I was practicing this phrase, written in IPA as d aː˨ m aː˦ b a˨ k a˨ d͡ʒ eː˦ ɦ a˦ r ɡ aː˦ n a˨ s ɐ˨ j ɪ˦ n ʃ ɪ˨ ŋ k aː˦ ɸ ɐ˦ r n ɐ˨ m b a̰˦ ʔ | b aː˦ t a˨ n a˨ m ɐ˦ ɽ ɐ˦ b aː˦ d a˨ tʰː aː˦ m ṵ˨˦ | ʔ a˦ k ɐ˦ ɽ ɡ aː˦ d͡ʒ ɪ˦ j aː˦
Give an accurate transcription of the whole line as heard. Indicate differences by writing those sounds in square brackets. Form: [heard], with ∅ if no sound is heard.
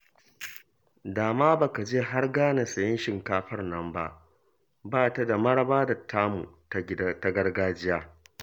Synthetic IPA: d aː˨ m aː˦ b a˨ k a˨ d͡ʒ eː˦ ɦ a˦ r ɡ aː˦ n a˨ s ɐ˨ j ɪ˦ n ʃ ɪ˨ ŋ k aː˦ ɸ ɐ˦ r n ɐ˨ m b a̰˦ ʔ | b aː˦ t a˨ [d] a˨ m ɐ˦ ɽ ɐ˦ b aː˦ d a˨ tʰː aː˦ m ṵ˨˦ | [t] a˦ [ɡ] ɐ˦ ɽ ɡ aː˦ d͡ʒ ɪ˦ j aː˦